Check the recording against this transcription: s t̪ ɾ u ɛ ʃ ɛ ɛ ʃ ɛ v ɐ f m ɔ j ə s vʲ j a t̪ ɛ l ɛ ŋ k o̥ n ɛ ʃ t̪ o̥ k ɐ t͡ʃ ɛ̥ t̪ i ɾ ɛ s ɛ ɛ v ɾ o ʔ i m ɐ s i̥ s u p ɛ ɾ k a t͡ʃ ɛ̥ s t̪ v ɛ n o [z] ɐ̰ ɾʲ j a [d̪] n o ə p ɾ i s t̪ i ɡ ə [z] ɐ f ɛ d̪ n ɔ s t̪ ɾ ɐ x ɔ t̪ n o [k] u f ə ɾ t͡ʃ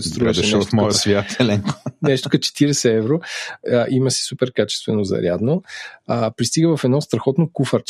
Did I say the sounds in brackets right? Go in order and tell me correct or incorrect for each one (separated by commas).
correct, correct, incorrect, correct